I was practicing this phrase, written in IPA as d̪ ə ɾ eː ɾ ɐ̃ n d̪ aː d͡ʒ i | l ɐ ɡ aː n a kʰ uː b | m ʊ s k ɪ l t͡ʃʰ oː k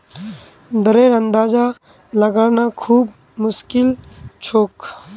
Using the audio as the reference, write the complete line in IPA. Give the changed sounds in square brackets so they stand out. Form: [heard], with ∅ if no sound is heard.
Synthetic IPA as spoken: d̪ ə ɾ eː ɾ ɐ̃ n d̪ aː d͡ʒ [a] | l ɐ ɡ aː n a kʰ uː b | m ʊ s k ɪ l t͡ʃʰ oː k